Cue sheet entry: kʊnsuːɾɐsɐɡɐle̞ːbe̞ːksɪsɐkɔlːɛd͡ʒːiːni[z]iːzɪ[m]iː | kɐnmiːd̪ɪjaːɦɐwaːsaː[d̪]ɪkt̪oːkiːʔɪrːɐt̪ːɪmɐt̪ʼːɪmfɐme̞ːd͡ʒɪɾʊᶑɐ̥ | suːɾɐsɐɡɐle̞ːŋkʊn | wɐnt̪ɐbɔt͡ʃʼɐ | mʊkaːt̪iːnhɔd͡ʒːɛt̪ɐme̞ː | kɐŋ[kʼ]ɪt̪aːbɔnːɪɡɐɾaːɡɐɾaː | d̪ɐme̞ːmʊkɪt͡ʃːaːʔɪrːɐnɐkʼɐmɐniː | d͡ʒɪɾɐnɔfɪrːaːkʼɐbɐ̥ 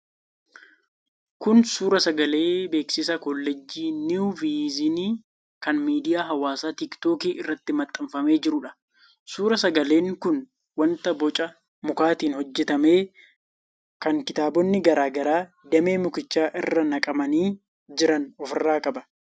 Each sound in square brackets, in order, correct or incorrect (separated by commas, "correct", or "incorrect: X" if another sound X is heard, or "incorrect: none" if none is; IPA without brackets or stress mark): incorrect: v, incorrect: n, incorrect: t̪, incorrect: k